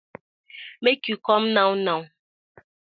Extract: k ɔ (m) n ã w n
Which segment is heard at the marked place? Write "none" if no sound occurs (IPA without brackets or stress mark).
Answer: m